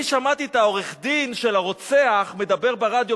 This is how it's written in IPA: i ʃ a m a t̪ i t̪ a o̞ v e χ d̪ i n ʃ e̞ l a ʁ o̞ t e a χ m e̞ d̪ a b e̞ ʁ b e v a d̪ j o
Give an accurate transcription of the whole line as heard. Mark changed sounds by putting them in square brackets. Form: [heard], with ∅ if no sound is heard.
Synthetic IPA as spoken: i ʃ a m a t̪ i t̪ a o̞ [ʁ] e χ d̪ i n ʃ e̞ l a ʁ o̞ [t͡s] e a χ m e̞ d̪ a b e̞ ʁ b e [ʁ] a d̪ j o